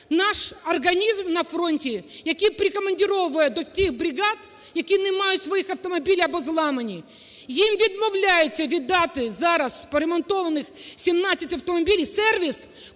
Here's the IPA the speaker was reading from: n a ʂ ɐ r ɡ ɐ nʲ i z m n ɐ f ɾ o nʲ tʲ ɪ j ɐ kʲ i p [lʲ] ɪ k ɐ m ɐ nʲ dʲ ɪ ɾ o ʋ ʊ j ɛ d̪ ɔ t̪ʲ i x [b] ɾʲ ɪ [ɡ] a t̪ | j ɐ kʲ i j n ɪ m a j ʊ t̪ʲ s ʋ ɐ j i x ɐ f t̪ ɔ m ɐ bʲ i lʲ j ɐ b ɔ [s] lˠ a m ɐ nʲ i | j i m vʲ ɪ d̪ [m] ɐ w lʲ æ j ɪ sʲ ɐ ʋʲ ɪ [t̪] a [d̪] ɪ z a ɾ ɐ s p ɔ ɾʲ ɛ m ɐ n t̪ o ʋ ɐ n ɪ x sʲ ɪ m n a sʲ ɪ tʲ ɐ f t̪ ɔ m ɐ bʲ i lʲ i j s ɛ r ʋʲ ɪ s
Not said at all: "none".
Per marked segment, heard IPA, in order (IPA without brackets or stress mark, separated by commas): ɾʲ, b, ɡ, z, m, d̪, t̪